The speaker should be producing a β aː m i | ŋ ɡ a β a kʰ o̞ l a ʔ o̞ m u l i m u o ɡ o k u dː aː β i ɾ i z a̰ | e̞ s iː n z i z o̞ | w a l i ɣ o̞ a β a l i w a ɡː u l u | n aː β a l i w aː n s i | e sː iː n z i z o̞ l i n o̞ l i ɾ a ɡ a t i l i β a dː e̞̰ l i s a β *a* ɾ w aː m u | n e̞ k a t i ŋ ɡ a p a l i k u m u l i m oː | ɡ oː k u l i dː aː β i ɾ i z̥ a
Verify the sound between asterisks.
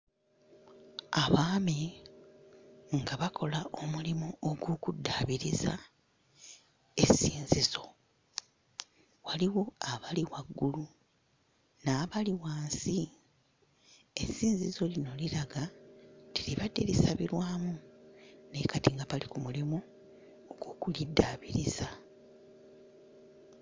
incorrect: i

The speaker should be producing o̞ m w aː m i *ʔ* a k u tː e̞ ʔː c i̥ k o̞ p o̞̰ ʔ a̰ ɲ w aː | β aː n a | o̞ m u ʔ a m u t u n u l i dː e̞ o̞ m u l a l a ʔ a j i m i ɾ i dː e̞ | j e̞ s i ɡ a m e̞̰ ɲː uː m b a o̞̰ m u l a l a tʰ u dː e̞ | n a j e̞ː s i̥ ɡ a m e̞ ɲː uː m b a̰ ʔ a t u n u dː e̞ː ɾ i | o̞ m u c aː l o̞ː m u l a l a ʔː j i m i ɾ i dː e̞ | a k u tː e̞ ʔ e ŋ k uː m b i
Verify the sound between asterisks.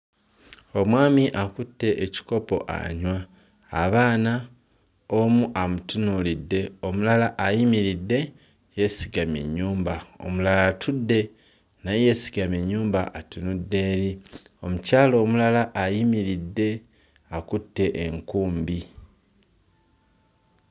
correct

